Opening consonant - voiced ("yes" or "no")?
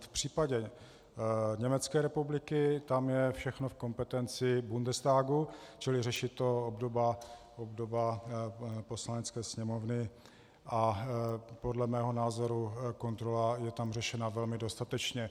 no